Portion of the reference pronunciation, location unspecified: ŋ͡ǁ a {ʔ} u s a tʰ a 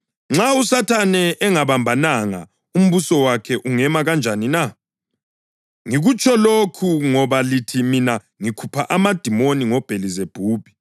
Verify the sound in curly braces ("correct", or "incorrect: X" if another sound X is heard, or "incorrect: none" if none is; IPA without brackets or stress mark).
incorrect: none